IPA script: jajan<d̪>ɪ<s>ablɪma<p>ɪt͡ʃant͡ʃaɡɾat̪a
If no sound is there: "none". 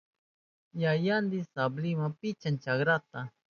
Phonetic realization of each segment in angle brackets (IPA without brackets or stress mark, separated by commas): d̪, s, p